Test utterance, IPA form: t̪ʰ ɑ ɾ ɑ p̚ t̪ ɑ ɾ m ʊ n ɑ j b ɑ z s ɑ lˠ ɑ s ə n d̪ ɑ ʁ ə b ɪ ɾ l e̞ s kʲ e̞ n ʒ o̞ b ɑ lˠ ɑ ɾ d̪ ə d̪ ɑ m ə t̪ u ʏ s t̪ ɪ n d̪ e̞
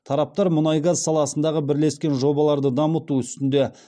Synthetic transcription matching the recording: t̪ʰ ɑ ɾ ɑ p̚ t̪ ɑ ɾ m ʊ n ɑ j ɡ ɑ z s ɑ lˠ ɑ s ə n d̪ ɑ ʁ ə b ɪ ɾ l e̞ s kʲ e̞ n ʒ o̞ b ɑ lˠ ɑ ɾ d̪ ə d̪ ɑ m ə t̪ u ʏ s t̪ ɪ n d̪ e̞